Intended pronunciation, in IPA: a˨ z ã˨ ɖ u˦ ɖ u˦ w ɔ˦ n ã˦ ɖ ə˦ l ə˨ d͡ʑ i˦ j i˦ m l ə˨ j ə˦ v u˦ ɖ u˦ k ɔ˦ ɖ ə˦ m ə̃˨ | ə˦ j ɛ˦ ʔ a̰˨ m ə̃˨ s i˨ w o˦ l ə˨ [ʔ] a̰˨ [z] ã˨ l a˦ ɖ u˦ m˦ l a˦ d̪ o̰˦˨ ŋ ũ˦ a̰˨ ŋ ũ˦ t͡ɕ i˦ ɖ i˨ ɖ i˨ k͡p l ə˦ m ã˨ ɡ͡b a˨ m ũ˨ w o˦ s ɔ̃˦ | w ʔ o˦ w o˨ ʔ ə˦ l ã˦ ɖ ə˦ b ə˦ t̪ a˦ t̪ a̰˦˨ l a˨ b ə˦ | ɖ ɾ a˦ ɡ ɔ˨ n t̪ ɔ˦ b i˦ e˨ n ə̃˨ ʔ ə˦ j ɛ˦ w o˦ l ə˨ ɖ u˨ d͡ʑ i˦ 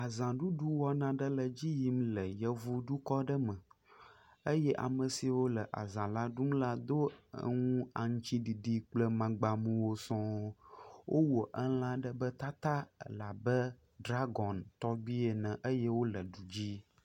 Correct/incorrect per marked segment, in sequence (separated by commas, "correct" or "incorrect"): correct, correct